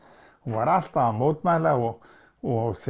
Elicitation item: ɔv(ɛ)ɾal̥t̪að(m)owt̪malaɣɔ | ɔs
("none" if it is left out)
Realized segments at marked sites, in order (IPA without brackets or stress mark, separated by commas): a, m